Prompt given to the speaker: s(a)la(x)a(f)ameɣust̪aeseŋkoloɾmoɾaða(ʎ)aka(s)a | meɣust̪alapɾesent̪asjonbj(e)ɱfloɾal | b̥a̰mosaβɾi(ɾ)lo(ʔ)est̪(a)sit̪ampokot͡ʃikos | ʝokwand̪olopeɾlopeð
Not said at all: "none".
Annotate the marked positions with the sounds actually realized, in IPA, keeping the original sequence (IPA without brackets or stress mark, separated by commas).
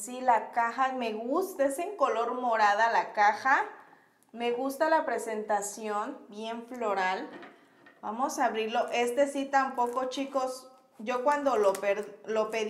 i, k, x, l, x, e, ɾ, ʔ, e